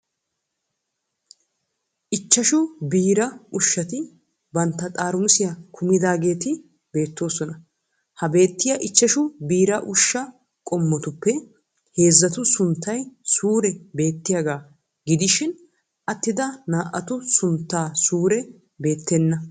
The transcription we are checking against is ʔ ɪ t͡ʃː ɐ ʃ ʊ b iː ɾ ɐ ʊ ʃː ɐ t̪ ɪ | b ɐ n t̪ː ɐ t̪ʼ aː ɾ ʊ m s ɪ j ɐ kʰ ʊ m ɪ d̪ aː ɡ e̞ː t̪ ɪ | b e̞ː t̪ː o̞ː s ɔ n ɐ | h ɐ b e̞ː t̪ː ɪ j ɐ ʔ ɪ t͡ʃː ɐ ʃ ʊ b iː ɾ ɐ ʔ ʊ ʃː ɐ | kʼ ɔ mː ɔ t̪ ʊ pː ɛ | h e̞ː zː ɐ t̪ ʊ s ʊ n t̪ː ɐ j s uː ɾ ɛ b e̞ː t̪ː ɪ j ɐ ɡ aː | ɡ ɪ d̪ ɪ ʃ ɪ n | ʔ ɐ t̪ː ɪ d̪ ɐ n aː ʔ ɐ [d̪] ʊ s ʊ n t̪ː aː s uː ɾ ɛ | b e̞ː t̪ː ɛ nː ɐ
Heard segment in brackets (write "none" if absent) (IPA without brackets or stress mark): t̪